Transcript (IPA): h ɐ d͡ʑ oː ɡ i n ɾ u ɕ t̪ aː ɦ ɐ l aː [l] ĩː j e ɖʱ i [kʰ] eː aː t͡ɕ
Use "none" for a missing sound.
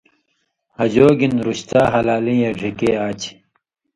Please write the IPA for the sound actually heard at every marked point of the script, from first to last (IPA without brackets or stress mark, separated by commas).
l, k